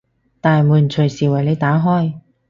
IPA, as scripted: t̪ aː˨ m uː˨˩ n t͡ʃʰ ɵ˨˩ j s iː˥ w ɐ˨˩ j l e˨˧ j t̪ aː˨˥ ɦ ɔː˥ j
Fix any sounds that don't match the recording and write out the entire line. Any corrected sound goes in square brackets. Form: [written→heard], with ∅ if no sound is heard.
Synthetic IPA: t̪ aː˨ m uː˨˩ n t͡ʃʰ ɵ˨˩ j s [iː˥→iː˨˩] w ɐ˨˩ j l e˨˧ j t̪ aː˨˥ ɦ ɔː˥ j